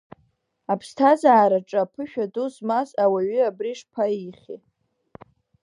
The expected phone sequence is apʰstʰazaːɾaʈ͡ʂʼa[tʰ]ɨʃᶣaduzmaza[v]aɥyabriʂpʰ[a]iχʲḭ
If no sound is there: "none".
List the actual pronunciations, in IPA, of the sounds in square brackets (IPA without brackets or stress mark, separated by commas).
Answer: pʰ, w, a